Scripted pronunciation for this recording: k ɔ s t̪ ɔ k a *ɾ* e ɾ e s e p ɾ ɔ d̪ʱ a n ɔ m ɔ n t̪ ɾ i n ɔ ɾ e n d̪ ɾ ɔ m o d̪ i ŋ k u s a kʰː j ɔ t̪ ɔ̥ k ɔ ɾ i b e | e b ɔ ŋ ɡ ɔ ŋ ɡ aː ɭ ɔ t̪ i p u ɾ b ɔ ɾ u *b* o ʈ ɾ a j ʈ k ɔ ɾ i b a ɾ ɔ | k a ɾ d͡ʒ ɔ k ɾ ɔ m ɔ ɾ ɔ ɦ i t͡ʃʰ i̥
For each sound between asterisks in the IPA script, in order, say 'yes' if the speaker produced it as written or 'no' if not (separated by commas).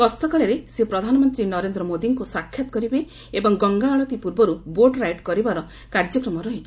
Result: no, yes